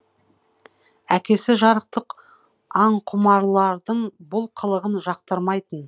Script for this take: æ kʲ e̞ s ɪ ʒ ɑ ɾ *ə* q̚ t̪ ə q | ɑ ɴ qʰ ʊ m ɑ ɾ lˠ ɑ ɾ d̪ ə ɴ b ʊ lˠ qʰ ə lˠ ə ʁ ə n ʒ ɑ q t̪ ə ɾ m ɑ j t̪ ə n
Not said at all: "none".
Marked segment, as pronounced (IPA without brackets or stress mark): ə